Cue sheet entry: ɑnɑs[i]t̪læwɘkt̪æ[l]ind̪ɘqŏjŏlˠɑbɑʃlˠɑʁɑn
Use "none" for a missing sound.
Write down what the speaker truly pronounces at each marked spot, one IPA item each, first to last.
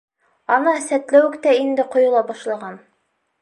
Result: æ, none

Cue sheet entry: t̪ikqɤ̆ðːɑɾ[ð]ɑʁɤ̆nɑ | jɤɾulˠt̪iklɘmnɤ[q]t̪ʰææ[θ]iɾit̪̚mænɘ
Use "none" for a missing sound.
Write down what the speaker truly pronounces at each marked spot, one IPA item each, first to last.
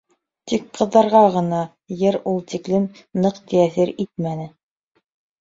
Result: ʁ, q, θ

